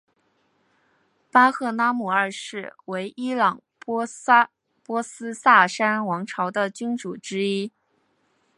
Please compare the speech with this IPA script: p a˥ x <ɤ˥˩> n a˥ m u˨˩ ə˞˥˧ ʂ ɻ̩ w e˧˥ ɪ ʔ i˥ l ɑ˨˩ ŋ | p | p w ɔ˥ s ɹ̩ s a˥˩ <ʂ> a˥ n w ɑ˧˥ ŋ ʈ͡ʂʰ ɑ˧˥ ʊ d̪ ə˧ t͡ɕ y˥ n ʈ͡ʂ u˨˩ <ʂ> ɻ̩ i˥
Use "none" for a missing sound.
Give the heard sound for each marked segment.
ɤ˥˩, ʂ, ʈ͡ʂ

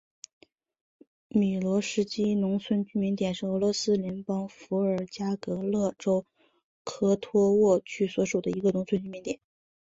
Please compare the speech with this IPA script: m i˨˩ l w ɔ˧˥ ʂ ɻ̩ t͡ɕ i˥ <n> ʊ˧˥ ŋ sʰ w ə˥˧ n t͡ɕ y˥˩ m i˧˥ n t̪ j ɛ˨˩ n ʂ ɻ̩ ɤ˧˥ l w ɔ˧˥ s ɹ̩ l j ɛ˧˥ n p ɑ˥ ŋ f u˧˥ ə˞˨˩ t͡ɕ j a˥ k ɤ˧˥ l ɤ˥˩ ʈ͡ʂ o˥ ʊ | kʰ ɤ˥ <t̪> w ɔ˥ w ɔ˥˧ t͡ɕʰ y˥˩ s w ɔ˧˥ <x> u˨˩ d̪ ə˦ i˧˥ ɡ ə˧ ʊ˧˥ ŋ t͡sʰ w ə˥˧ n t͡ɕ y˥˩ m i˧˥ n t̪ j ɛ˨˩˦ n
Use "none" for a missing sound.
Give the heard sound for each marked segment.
n, t̪ʰ, ʂ

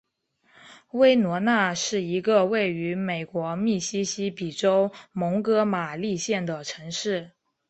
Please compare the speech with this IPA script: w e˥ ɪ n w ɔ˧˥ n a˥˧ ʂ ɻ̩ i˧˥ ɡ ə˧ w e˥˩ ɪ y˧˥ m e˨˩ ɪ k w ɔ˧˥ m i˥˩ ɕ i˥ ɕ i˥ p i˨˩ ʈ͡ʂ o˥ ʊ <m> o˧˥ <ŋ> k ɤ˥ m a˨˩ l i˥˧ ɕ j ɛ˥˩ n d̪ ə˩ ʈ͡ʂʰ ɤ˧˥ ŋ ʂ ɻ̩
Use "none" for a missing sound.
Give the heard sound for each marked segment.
m, ŋ

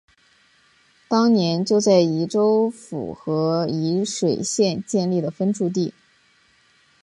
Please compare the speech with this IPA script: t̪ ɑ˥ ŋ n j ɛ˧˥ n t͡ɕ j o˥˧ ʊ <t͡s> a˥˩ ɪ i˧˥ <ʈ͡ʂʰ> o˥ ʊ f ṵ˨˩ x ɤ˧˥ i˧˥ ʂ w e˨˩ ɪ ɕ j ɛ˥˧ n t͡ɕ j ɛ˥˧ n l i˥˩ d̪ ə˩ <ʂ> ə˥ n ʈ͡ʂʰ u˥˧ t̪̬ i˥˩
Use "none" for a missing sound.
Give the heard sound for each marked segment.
t͡s, ʈ͡ʂ, f

